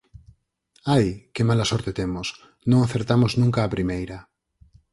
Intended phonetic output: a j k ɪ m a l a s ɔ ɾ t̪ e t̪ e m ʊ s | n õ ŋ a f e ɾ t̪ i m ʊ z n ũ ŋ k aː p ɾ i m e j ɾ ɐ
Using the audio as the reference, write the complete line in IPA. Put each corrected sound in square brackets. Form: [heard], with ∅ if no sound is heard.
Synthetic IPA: a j k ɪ m a l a s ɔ ɾ t̪ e t̪ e m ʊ s | n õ ŋ a [θ] e ɾ t̪ [a] m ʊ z n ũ ŋ k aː p ɾ i m e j ɾ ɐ

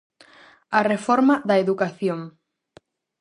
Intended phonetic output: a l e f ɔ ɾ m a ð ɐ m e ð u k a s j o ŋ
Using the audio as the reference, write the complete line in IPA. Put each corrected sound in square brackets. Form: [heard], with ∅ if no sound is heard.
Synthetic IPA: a [r] e f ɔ ɾ m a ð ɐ [∅] e ð u k a [θ] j o ŋ

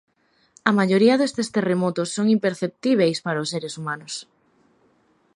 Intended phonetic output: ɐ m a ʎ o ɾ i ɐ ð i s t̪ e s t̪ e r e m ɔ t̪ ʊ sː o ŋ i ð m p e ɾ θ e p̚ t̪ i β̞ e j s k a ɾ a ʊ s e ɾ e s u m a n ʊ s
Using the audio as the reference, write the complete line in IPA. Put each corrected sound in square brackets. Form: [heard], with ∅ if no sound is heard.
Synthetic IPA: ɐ m a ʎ o ɾ i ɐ ð [e] s t̪ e s t̪ e r e m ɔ t̪ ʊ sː o ŋ i [∅] m p e ɾ θ e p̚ t̪ i β̞ e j s [p] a ɾ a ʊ s e ɾ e s u m a n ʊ s

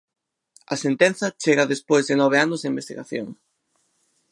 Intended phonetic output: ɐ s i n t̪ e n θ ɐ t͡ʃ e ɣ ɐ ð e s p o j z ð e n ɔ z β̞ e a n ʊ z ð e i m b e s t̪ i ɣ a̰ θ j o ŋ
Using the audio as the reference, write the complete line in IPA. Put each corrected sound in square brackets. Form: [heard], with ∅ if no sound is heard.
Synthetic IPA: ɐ s [e] n t̪ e n θ ɐ t͡ʃ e ɣ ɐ ð e s p o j z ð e n ɔ [∅] β̞ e a n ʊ z ð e i m b e s t̪ i ɣ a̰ θ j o ŋ

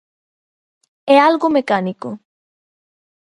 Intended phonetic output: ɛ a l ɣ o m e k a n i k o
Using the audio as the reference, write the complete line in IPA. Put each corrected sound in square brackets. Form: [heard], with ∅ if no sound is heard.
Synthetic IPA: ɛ a l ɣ o m e k a n i k o

